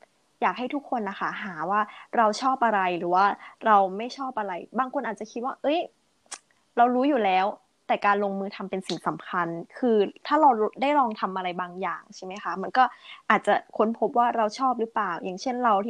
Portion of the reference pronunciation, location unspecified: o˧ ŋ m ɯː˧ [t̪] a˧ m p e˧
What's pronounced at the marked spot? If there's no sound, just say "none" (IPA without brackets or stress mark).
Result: t̪ʰ